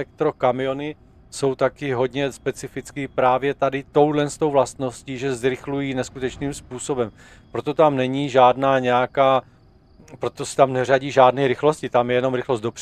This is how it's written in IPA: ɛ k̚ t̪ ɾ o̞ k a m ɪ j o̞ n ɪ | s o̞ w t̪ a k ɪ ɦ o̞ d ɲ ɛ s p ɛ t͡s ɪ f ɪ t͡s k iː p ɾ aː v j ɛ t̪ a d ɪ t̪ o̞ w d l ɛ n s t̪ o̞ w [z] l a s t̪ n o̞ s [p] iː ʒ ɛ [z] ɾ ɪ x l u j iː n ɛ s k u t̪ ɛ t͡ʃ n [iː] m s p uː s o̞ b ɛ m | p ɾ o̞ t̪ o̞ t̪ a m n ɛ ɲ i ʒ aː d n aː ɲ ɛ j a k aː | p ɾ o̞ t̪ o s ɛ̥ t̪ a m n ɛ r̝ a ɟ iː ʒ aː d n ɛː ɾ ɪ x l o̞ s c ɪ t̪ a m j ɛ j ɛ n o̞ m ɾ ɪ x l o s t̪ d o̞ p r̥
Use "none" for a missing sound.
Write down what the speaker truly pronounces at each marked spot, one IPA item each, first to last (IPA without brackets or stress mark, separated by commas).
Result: v, c, z, iː